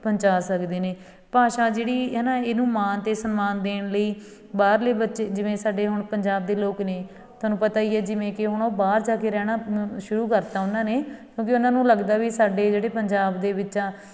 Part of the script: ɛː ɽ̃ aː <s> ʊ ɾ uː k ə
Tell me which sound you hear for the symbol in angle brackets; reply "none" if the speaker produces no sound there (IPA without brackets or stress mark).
ʃ